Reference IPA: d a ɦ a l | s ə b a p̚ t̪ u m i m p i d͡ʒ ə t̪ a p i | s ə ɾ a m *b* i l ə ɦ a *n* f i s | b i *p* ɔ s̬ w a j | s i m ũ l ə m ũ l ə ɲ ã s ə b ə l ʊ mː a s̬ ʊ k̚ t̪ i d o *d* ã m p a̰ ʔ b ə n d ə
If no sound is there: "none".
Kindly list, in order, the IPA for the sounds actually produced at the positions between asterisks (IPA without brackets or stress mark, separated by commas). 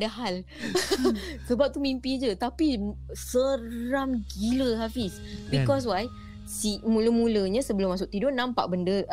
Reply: ɡ, none, k, n